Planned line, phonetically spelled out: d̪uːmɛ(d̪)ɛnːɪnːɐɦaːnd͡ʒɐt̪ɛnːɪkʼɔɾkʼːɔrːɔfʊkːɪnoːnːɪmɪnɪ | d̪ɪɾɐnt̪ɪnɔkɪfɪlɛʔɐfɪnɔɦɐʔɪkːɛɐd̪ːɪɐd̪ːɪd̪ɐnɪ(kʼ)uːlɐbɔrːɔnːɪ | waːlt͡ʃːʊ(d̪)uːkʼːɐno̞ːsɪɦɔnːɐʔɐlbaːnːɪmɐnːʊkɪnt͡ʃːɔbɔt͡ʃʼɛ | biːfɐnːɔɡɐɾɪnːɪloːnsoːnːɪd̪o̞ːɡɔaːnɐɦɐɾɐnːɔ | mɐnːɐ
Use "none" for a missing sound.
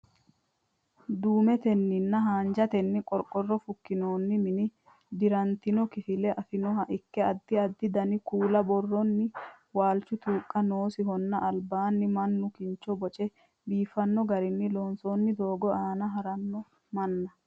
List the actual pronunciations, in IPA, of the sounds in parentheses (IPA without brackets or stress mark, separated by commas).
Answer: t̪, k, t̪